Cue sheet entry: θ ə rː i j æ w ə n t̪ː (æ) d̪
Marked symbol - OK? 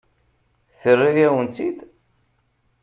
no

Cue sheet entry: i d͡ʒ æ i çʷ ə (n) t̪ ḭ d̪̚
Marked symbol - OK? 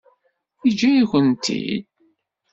yes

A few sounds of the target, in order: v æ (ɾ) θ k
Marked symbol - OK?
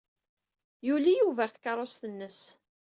yes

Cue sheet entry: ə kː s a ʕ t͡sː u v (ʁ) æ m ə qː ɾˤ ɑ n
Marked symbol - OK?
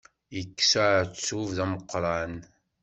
no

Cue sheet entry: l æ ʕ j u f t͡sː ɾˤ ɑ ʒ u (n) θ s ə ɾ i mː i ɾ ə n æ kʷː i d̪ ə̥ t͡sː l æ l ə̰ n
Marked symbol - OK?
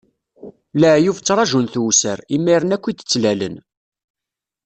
yes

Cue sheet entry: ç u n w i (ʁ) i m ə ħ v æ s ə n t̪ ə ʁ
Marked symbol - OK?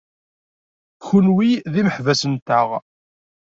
no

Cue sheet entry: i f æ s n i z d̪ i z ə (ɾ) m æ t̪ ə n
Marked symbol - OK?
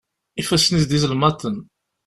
no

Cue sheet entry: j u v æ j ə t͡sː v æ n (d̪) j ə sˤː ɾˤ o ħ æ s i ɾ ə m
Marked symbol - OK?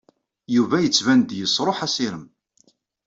yes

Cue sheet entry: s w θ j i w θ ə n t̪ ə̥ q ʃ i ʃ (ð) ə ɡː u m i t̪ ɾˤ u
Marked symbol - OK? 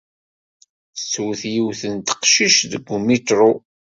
yes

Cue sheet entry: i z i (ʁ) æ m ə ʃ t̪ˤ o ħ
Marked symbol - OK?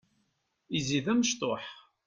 no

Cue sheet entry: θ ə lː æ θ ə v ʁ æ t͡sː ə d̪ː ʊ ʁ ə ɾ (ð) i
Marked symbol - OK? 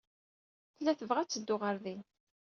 yes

